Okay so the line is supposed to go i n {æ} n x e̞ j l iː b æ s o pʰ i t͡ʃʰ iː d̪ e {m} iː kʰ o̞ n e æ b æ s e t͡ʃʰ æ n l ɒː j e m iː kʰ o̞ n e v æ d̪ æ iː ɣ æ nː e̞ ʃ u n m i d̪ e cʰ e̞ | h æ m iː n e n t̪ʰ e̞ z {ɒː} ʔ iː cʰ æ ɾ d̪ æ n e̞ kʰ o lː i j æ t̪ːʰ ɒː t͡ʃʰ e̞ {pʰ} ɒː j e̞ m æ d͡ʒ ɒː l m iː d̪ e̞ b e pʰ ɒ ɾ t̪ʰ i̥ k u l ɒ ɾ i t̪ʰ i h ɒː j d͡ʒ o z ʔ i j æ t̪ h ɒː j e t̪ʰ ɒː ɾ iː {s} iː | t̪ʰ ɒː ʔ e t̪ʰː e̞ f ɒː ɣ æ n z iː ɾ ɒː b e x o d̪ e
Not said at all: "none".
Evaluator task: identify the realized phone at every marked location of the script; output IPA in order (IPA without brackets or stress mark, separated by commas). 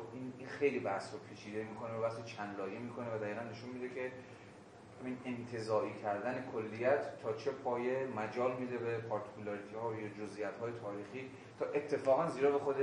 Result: i, m, ɒː, pʰ, x